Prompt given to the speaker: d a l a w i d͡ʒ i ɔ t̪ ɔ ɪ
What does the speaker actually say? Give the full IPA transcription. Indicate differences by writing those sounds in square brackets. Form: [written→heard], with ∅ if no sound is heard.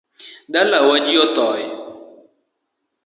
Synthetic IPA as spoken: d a l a w [i→a] d͡ʒ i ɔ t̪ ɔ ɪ